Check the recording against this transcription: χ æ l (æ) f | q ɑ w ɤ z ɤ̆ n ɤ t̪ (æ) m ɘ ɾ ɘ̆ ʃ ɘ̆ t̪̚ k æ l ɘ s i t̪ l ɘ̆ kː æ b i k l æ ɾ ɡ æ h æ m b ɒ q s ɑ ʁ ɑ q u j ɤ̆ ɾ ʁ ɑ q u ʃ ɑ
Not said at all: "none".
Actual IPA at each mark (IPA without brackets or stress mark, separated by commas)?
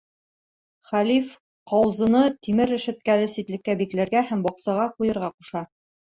i, i